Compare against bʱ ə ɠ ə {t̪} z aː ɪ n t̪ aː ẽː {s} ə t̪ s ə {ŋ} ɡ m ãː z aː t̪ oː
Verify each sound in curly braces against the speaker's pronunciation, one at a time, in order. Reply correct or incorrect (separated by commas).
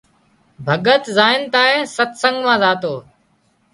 correct, correct, correct